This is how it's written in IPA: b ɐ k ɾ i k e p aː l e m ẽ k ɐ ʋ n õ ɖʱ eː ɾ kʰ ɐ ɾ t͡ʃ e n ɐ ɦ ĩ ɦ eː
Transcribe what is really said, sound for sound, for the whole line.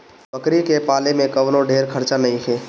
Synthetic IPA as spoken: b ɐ k ɾ i k e p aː l e m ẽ k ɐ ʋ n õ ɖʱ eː ɾ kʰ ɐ ɾ t͡ʃ a n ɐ ɦ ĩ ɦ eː